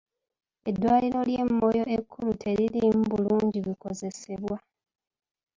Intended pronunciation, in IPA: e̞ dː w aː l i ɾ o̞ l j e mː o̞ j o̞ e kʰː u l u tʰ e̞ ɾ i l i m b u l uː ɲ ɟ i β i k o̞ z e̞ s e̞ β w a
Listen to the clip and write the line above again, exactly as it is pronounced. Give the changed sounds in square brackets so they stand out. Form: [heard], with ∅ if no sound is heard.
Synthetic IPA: e̞ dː w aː l i ɾ o̞ l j e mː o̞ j o̞ e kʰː u l u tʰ e̞ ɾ i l i m b u l uː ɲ ɟ i β i k o̞ z e̞ s e̞ β w a

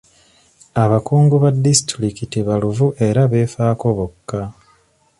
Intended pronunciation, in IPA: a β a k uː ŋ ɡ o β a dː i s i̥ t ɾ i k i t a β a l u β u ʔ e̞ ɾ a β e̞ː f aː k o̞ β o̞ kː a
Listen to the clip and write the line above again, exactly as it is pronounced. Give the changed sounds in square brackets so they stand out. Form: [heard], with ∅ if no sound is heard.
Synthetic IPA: a β a k uː ŋ ɡ [u] β a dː i s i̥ t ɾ i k i t [i] β a l u [v] u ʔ e̞ ɾ a β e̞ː f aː k o̞ β o̞ kː a

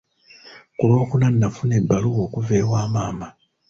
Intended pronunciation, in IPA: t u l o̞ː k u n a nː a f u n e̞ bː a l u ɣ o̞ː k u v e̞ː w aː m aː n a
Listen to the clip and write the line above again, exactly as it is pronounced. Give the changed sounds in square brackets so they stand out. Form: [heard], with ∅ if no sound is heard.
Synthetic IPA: [k] u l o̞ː k u n a nː a f u n e̞ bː a l u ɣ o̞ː k u v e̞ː w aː m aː [m] a

